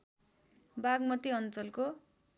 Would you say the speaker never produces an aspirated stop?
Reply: yes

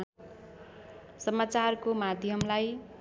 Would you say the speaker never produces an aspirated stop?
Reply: yes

